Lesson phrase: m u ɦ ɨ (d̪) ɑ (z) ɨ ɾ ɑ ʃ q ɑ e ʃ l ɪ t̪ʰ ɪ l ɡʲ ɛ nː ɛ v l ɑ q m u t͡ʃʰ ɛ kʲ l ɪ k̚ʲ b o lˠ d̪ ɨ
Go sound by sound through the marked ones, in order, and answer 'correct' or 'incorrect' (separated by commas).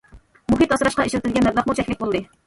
incorrect, incorrect